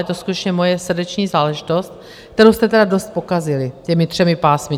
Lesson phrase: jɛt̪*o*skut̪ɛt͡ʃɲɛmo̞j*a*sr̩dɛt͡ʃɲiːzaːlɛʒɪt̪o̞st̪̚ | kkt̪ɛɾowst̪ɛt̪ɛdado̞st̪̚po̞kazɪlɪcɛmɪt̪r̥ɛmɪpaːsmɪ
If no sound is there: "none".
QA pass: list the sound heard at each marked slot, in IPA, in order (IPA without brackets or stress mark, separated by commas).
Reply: o, ɛ